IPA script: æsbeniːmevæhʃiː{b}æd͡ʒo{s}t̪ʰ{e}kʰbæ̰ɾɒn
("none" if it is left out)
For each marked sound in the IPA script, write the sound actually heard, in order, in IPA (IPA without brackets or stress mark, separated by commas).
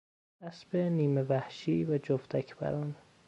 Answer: v, f, æ